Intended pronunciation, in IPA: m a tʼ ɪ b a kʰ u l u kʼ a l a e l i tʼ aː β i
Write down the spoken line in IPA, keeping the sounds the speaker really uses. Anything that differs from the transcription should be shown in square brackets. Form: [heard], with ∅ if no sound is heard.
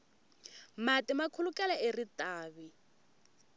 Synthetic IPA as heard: m a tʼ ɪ [m] a kʰ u l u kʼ [ɛ] l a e [r] i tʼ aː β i